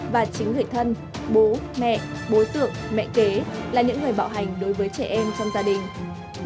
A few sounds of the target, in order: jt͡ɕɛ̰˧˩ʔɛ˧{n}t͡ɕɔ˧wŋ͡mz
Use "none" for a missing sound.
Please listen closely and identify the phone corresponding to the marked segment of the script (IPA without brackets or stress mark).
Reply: m